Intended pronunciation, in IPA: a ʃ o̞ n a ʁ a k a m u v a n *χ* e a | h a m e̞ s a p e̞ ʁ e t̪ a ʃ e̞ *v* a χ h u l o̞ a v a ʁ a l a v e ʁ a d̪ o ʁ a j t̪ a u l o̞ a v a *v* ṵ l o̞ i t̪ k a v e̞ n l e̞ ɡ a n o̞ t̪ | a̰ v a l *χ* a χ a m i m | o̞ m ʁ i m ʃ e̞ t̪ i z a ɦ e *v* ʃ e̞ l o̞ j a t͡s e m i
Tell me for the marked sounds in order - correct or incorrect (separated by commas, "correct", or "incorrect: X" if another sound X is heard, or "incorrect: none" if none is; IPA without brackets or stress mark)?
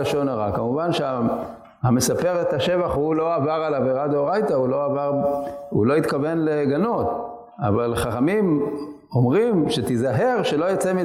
incorrect: ʃ, correct, incorrect: ʁ, correct, incorrect: ʁ